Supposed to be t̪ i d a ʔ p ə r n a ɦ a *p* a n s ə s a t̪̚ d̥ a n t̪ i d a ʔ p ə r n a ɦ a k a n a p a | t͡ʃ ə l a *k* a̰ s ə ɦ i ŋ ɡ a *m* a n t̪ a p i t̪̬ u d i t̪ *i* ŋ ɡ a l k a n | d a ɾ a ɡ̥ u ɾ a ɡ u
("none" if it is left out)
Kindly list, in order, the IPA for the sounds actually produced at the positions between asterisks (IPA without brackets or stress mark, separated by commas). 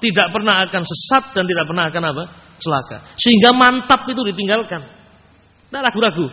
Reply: k, k, m, i